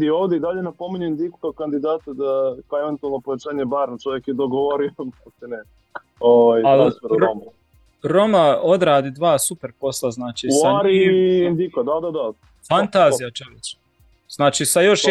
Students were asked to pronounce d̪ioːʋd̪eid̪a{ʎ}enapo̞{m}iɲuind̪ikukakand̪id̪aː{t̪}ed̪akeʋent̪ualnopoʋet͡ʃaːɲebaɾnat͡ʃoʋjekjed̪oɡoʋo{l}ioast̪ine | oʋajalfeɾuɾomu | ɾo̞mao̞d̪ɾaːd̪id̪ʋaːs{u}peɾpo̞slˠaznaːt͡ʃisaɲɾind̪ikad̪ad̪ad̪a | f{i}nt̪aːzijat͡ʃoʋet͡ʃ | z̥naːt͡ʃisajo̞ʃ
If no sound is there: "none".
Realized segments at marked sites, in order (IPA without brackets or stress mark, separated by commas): ʎ, m, t̪, ɾ, u, a